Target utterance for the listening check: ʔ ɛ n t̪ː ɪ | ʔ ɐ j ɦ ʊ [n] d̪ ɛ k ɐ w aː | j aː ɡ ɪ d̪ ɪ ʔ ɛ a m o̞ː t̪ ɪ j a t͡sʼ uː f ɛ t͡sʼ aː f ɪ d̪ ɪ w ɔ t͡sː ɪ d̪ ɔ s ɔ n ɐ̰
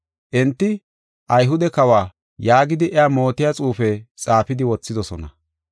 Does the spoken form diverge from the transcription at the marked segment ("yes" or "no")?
yes